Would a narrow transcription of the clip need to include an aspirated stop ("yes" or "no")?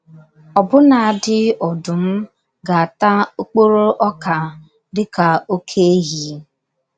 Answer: yes